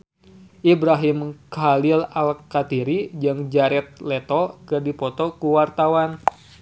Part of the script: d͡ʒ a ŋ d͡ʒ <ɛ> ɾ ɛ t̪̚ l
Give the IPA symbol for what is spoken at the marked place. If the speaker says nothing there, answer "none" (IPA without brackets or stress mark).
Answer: a